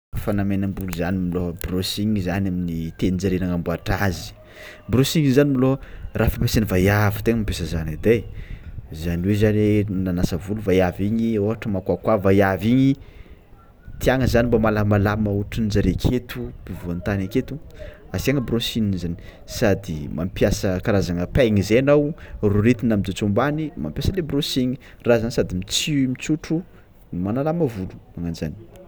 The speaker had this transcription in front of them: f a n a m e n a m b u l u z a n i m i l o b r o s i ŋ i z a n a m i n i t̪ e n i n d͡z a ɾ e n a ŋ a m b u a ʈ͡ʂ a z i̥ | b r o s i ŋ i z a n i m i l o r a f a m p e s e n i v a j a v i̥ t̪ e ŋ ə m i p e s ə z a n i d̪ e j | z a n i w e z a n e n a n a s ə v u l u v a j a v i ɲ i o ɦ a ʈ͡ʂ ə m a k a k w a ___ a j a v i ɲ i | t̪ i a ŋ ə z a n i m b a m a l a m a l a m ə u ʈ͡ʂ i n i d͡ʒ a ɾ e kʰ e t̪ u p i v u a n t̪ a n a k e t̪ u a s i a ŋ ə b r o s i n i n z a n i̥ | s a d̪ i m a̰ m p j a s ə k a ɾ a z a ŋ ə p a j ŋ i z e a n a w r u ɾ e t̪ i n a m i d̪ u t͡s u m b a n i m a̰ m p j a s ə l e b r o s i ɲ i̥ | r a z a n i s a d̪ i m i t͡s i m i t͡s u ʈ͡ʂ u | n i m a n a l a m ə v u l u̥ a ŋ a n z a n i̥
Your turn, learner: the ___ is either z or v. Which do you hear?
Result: v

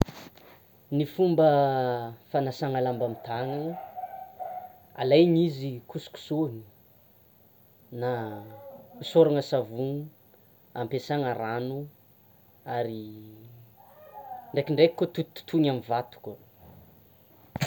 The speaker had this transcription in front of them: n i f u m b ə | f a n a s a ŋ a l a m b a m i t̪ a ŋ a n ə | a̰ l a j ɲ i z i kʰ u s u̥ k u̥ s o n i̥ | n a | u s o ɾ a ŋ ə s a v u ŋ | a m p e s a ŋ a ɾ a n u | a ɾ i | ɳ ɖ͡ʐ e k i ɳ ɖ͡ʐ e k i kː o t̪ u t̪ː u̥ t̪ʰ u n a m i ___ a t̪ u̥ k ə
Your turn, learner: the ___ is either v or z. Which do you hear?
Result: v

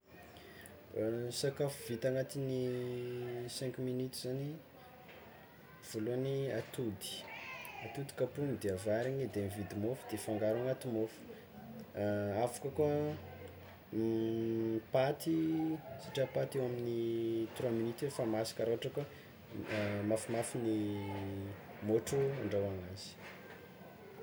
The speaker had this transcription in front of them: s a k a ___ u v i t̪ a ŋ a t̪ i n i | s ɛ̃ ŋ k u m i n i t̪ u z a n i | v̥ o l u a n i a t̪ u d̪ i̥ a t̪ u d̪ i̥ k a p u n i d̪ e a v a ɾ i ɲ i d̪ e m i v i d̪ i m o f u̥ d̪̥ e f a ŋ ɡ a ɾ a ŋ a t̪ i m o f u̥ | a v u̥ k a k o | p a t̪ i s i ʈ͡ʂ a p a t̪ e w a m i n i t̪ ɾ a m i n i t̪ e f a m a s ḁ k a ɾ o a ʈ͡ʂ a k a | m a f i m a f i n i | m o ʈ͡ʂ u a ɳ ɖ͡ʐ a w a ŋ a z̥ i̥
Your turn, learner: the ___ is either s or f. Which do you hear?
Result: f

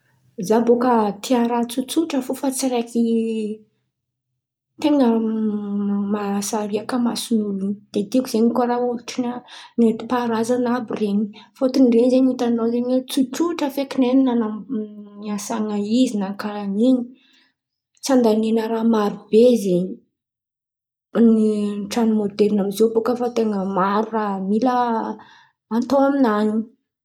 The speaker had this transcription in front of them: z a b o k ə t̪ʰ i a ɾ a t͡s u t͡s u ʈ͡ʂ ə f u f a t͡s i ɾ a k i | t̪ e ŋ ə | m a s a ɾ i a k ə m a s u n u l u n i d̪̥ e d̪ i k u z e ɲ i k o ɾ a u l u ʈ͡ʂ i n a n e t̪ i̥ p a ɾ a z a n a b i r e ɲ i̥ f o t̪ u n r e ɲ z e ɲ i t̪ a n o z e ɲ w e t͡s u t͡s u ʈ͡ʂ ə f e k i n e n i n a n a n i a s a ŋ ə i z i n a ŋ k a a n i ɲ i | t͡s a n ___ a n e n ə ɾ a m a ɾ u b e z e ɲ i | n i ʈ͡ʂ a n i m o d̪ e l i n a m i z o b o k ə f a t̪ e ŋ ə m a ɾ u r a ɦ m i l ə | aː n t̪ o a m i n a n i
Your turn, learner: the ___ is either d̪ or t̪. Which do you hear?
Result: d̪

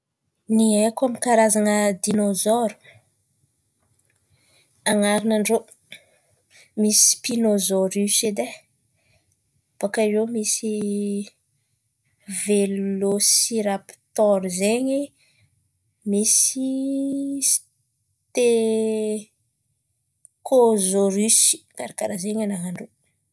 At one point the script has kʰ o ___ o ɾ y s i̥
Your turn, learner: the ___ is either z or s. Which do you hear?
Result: z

